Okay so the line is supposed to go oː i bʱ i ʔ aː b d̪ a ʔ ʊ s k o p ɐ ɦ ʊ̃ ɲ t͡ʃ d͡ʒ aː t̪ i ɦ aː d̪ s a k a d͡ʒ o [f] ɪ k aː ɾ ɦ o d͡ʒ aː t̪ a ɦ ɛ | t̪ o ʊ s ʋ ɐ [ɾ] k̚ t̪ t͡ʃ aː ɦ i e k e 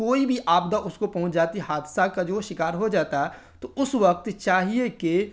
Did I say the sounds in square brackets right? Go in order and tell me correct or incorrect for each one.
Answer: incorrect: ʃ, incorrect: none

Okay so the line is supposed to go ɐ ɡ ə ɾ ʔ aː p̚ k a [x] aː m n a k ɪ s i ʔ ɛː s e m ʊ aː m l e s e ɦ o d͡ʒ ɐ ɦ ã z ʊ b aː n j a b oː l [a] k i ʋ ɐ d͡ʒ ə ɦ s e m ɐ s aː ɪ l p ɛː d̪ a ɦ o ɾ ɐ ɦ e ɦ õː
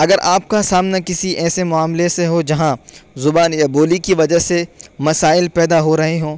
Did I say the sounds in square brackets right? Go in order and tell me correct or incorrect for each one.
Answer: incorrect: s, incorrect: i

